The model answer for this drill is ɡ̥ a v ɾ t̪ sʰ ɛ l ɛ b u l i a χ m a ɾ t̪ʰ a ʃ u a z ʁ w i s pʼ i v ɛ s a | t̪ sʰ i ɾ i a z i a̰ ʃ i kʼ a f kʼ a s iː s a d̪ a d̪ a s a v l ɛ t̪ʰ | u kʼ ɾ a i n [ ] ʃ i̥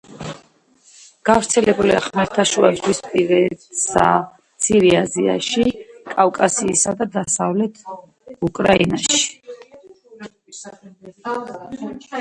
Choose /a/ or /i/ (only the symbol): a